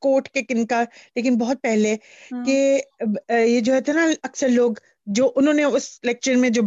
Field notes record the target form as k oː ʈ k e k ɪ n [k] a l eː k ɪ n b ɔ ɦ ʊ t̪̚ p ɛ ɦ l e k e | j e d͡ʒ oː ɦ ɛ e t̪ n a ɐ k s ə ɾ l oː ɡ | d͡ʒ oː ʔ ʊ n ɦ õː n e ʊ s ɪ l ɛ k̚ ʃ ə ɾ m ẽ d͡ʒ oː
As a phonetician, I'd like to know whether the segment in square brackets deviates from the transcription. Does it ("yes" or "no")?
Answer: no